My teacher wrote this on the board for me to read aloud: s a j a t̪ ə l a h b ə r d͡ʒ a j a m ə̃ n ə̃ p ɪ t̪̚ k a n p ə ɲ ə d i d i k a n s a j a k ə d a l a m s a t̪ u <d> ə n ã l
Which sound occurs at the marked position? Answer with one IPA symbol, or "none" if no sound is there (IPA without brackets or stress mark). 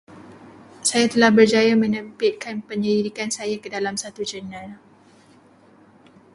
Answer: d͡ʒ